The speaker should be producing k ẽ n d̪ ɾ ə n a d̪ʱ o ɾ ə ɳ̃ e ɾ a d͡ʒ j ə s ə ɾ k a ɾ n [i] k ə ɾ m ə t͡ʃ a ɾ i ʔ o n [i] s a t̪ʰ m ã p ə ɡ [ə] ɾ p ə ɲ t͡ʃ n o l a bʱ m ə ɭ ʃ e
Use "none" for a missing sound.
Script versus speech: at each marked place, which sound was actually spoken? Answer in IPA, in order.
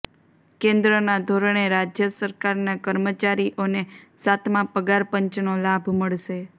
a, e, a

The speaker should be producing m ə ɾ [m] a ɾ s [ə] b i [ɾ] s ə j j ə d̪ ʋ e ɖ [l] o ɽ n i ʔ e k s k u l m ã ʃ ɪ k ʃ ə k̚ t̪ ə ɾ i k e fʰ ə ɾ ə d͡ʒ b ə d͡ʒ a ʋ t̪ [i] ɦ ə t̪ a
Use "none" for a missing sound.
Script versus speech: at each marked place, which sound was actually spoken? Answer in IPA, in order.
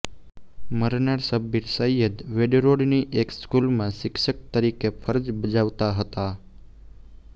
n, ə, ɾ, ɾ, a

